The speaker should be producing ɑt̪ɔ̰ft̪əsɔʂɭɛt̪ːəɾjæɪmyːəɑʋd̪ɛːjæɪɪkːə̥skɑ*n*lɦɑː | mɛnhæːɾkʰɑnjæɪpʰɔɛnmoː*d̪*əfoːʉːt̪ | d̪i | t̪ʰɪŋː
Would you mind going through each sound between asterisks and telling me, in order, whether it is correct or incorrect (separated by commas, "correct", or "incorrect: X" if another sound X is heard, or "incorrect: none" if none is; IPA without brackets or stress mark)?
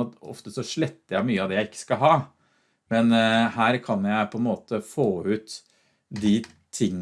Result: incorrect: none, incorrect: t̪